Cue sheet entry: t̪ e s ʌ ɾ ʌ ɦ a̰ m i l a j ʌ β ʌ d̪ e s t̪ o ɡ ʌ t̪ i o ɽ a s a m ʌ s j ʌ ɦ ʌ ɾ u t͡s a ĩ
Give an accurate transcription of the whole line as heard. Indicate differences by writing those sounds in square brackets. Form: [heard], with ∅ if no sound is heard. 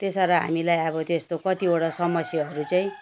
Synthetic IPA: t̪ e s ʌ ɾ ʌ ɦ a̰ m i l a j ʌ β ʌ [t̪] e s t̪ o [k] ʌ t̪ i o ɽ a s [ʌ] m ʌ s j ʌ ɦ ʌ ɾ u t͡s a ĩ